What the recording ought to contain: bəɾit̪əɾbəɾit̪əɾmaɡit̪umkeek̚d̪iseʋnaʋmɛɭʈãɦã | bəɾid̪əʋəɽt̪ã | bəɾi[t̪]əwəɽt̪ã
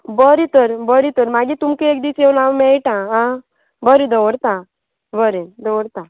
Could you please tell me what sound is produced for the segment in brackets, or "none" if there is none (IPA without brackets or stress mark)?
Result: d̪